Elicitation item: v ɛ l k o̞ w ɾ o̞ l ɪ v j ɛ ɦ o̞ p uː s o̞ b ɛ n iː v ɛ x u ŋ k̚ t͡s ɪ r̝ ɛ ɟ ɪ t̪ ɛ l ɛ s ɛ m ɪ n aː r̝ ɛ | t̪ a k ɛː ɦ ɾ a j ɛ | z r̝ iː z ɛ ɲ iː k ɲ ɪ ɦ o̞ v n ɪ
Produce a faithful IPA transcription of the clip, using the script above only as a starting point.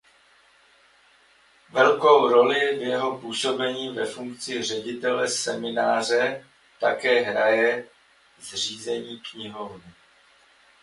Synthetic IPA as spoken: v ɛ l k o̞ w ɾ o̞ l ɪ v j ɛ ɦ o̞ p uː s o̞ b ɛ ɲ iː v ɛ f u ŋ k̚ t͡s ɪ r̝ ɛ ɟ ɪ t̪ ɛ l ɛ s ɛ m ɪ n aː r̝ ɛ | t̪ a k ɛː ɦ ɾ a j ɛ | z r̝ iː z ɛ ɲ iː k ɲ ɪ ɦ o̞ v n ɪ